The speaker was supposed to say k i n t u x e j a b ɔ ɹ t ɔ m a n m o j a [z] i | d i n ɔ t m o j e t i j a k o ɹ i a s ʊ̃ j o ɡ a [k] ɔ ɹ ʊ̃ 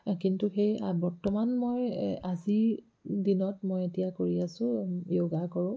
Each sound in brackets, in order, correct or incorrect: correct, correct

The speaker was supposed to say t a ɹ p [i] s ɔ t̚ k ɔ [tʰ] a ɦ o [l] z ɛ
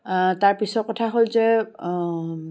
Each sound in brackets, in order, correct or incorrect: correct, correct, correct

